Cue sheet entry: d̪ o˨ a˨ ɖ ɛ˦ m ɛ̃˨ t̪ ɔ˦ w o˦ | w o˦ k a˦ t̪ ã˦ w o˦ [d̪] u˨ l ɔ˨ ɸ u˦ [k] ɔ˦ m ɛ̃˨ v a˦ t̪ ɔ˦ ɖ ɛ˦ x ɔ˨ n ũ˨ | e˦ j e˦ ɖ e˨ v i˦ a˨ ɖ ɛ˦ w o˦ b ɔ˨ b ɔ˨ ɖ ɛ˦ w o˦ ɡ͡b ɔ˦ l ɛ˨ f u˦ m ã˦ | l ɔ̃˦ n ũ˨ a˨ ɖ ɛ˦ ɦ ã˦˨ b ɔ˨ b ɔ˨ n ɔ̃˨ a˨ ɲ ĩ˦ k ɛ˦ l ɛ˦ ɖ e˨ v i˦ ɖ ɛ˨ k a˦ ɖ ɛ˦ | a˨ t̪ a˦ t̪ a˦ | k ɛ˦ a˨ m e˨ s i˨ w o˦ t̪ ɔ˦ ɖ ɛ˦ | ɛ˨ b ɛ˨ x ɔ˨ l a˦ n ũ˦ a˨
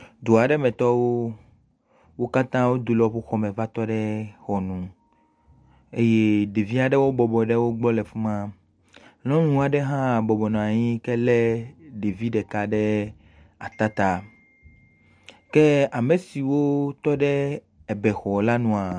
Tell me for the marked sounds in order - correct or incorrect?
correct, incorrect

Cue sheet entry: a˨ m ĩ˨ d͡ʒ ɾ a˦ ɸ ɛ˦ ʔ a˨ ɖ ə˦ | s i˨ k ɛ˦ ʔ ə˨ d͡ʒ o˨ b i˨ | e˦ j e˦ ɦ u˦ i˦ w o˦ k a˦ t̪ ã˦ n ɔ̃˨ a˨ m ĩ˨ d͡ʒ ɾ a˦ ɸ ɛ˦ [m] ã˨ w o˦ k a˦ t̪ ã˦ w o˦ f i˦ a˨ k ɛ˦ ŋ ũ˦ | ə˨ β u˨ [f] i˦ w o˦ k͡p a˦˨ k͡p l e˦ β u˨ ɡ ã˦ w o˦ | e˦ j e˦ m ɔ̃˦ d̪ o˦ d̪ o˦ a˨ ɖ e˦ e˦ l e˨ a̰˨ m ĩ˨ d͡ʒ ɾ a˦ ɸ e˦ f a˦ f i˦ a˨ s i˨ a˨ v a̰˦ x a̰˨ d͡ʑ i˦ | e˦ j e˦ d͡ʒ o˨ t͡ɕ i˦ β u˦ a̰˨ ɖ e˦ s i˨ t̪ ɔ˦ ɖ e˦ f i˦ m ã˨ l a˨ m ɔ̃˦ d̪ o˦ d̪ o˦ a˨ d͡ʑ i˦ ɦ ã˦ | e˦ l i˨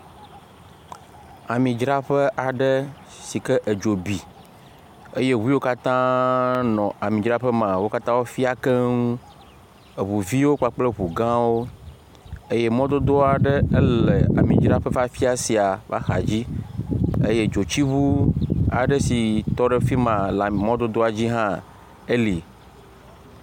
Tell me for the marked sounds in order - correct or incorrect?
correct, incorrect

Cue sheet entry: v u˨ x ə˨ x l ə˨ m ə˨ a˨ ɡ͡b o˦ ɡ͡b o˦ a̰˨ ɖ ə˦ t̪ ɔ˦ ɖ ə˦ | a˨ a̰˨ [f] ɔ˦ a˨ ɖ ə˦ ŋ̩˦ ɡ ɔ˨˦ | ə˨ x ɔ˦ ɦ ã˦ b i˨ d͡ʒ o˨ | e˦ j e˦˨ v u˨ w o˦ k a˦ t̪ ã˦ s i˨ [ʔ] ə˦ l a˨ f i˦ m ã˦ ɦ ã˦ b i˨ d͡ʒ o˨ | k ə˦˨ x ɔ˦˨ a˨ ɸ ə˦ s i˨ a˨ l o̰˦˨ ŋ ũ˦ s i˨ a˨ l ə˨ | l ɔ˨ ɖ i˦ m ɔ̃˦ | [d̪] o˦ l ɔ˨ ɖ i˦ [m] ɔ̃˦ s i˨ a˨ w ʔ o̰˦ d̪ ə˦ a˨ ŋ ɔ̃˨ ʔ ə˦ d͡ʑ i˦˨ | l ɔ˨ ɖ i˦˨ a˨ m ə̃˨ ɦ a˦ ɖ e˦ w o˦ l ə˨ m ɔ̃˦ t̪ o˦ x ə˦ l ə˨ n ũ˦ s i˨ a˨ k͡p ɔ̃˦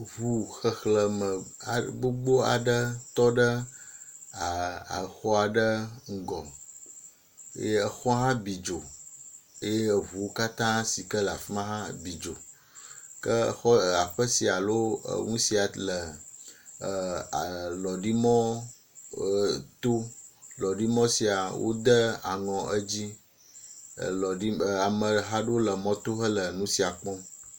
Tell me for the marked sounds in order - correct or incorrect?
incorrect, incorrect, incorrect, correct

